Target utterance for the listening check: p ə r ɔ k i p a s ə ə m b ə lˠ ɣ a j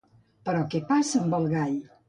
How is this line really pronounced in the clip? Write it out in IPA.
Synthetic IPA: p ə ɾ ɔ k ɛ p a s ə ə m b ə lˠ ɣ a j